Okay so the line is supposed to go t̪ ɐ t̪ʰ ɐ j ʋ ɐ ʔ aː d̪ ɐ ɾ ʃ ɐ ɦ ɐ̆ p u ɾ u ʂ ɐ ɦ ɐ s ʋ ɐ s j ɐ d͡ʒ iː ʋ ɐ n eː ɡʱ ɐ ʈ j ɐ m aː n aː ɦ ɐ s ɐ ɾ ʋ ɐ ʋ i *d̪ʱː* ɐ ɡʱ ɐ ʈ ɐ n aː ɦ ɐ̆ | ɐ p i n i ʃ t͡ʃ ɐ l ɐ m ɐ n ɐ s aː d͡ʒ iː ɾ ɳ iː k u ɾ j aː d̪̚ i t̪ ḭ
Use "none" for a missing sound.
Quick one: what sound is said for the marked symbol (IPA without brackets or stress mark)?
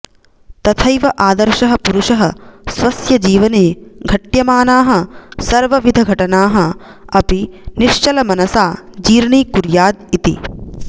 d̪ʱ